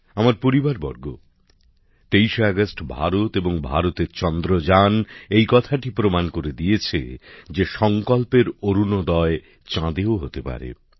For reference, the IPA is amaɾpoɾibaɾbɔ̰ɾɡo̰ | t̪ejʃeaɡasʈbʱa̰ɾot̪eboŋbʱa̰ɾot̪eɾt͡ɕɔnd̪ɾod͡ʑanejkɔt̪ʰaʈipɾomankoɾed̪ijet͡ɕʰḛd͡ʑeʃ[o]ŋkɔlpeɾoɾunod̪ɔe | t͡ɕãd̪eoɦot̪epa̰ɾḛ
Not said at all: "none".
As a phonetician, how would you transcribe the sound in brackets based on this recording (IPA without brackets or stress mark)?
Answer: ɔ